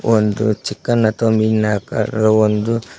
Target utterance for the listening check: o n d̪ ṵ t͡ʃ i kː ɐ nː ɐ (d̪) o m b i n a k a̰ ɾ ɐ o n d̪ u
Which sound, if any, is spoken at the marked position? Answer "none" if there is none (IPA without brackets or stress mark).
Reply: t̪